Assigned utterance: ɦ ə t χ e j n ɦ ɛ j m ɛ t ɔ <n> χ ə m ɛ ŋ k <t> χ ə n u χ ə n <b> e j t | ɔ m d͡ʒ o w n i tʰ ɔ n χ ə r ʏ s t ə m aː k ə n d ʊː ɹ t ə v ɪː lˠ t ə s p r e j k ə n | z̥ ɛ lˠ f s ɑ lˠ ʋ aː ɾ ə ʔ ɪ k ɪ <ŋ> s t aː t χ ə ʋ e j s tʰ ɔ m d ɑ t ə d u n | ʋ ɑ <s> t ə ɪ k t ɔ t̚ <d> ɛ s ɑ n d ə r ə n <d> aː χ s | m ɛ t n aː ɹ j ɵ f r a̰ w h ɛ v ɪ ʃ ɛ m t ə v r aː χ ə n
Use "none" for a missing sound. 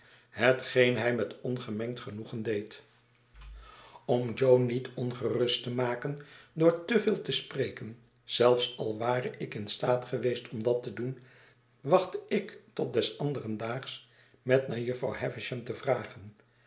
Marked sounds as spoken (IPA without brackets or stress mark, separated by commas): n, t, d, n, χ, d, d